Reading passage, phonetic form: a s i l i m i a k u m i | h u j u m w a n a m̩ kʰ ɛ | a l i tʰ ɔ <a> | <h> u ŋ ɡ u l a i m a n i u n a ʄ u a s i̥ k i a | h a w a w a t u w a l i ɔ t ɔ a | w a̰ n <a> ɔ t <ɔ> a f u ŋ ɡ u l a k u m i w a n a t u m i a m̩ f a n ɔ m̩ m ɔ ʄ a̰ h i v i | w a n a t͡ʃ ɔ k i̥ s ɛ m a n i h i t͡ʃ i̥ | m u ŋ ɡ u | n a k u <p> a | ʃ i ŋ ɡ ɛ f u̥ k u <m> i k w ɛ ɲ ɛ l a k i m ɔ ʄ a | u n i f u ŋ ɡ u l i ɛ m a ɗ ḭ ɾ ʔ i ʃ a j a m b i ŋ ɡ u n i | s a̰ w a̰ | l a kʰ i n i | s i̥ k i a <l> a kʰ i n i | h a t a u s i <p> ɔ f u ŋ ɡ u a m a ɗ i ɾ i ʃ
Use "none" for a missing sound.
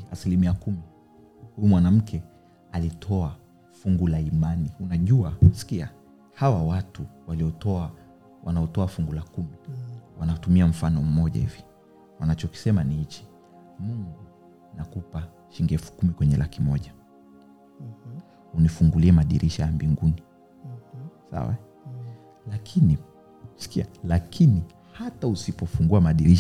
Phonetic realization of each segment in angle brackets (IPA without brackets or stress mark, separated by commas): a, f, a, ɔ, p, m, l, p